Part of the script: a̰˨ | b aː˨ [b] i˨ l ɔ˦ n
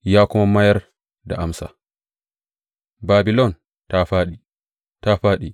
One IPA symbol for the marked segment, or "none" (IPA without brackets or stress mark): b